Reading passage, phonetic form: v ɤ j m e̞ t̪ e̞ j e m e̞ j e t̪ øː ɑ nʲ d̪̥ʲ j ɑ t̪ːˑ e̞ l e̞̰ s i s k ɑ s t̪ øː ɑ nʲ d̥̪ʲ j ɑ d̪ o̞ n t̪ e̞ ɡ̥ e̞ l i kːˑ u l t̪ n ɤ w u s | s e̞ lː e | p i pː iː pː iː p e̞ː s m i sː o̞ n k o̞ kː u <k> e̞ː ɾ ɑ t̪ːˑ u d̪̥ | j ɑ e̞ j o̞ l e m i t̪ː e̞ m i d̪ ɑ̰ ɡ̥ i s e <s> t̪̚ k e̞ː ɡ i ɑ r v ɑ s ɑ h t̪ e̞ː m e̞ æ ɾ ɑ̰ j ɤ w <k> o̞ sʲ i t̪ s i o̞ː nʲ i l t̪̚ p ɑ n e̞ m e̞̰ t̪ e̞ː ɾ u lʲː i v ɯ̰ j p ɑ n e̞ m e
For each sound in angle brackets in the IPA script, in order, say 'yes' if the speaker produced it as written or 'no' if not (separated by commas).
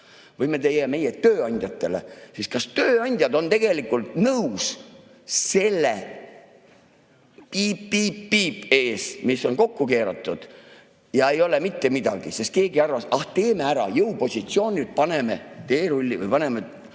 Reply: yes, yes, no